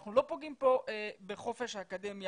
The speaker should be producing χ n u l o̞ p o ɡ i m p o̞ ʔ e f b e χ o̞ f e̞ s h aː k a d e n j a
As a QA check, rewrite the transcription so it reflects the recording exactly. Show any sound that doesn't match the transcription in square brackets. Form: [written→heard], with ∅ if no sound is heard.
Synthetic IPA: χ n u l o̞ p o ɡ i m p o̞ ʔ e [f→∅] b e χ o̞ f e̞ [s→ʃ] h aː k a d e [n→m] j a